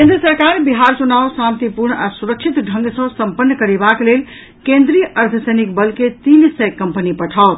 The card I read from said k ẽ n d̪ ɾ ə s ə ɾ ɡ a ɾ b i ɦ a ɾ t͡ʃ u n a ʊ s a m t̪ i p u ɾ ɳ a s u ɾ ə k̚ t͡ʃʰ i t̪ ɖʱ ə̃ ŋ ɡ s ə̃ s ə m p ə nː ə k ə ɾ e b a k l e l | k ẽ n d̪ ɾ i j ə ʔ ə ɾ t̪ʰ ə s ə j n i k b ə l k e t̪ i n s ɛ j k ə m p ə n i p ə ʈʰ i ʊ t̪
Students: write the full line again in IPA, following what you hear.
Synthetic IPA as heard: k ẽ n d̪ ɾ ə s ə ɾ k a ɾ b i ɦ a ɾ t͡ʃ u n a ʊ s a m t̪ i p u ɾ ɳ a s u ɾ ə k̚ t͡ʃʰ i t̪ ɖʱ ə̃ ŋ ɡ s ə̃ s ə m p ə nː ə k ə ɾ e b a k l e l | k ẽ n d̪ ɾ i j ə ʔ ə ɾ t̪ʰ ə s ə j n i k b ə l k e t̪ i n s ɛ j k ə m p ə n i p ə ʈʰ a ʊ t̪

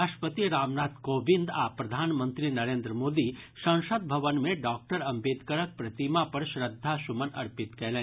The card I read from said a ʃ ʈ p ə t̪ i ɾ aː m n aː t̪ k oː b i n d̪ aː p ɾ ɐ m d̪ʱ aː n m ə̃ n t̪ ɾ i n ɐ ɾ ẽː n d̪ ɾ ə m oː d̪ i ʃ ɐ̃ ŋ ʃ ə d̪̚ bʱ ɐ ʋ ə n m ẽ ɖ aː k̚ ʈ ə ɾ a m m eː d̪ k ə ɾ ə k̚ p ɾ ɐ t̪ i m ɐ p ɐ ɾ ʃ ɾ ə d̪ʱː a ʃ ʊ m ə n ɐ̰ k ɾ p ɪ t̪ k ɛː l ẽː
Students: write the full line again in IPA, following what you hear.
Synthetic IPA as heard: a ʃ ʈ p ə t̪ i ɾ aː m n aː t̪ k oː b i n d̪ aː p ɾ ɐ d̪ʱ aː n m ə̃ n t̪ ɾ i n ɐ ɾ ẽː n d̪ ɾ ə m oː d̪ i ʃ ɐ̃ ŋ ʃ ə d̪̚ bʱ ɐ ʋ ə n m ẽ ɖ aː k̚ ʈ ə ɾ ɐ m b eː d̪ k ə ɾ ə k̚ p ɾ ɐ t̪ i m a p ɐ ɾ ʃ ɾ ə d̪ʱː a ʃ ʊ m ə n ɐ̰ ɾ p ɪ t̪ k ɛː l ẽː

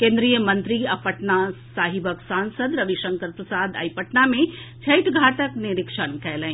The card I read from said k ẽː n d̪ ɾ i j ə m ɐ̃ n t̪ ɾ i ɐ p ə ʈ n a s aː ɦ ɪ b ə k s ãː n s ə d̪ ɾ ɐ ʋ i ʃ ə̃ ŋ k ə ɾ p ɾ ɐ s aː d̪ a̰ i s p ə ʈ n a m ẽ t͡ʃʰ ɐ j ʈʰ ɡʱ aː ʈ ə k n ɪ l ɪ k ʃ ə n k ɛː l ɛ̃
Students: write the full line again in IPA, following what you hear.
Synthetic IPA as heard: k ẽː n d̪ ɾ i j ə m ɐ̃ n t̪ ɾ i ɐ p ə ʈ n a s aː ɦ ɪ b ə k s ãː n s ə d̪ ɾ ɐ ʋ i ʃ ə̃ ŋ k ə ɾ p ɾ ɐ s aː d̪ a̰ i p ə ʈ n a m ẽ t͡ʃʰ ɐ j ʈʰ ɡʱ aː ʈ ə k n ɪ ɾ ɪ k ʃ ə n k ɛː l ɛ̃

